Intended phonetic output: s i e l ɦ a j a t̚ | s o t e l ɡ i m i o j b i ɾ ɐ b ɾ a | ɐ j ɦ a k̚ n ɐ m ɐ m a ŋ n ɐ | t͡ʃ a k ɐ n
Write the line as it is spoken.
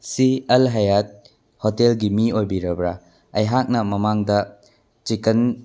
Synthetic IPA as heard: s i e l ɦ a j a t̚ | h o t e l ɡ i m i o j b i ɾ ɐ b ɾ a | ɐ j ɦ a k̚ n ɐ m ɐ m a ŋ d ɐ | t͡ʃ i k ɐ n

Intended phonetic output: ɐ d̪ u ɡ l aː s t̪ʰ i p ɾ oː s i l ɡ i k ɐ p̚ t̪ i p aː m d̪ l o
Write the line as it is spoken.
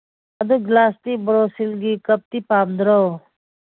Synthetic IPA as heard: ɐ d̪ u ɡ l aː s t̪ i b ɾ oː s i l ɡ i k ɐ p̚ t̪ i p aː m d̪ ɾ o

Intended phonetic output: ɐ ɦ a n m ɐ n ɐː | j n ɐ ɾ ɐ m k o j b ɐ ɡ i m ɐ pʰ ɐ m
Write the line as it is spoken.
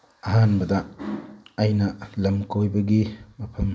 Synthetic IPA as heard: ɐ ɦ a n b ɐ d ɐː | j n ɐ l ɐ m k o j b ɐ ɡ i m ɐ pʰ ɐ m

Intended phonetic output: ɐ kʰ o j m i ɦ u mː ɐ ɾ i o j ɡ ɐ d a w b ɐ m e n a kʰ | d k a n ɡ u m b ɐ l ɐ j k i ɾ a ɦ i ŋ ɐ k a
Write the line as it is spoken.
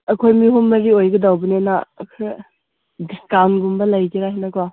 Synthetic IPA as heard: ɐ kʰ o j m i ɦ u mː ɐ ɾ i o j ɡ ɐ d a w b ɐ n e n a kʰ | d k a n ɡ u m b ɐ l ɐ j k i ɾ a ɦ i n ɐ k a

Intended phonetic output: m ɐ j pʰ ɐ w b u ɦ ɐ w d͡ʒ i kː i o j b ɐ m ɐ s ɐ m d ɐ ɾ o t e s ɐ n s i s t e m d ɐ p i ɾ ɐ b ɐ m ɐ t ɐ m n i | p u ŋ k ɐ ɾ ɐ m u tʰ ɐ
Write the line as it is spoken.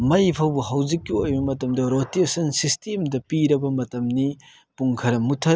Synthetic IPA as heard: m ɐ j pʰ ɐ w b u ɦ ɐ w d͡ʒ i kː i o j b ɐ m ɐ t ɐ m d ɐ ɾ o t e s ɐ n s i s t e m d ɐ p i ɾ ɐ b ɐ m ɐ t ɐ m n i | p u ŋ kʰ ɐ ɾ ɐ m u tʰ ɐ

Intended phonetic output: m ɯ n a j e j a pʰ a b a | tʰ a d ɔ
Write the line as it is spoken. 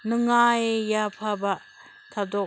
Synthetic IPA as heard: n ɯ ŋ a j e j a pʰ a b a | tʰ a d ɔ

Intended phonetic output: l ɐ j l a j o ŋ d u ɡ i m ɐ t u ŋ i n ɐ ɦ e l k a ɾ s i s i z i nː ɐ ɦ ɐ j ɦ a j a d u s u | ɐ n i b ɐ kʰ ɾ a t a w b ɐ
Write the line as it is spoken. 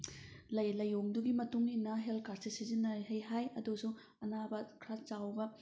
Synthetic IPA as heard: l ɐ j l ɐ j o ŋ d u ɡ i m ɐ t u ŋ i n ɐ ɦ e l k a ɾ s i s i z i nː ɐ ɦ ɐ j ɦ a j ɐ d u s u | ɐ n a b ɐ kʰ ɾ a t͡ʃ a w b ɐ

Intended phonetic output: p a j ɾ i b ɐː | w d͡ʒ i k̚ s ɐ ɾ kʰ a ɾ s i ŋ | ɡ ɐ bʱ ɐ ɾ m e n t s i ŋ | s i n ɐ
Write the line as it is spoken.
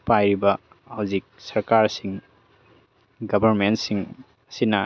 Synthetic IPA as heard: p a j ɾ i b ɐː | w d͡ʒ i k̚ s ɐ ɾ k a ɾ s i ŋ | ɡ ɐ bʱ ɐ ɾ m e n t s i ŋ | s i n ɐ

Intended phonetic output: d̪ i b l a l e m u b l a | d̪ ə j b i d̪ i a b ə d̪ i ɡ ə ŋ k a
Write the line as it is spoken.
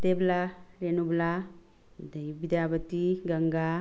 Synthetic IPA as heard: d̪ e b l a ɾ e n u b l a | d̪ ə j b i d̪ j a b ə t̪ i ɡ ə ŋ ɡ a

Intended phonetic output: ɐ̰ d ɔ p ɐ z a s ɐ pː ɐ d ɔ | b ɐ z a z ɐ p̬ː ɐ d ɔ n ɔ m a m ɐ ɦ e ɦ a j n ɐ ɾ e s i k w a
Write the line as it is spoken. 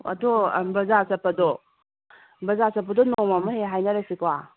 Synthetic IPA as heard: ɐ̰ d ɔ b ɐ z a s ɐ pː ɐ d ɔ | b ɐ z a s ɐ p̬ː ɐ d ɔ n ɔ m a m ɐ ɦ e ɦ a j n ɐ ɾ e s i k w a

